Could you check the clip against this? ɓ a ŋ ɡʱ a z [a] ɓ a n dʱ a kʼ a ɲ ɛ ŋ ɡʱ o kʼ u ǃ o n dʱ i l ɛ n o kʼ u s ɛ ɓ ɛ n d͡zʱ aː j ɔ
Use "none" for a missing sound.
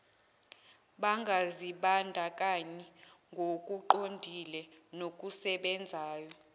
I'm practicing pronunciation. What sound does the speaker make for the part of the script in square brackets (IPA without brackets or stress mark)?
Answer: i